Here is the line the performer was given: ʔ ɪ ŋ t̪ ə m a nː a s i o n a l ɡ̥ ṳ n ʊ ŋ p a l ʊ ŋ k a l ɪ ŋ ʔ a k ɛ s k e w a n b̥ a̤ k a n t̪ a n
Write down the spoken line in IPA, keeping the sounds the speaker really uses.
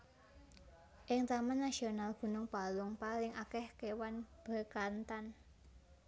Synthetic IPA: ʔ ɪ ŋ t̪ a m a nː a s i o n a l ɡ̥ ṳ n ʊ ŋ p a l ʊ ŋ p a l ɪ ŋ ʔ a k ɛ h k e w a n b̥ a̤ k a n t̪ a n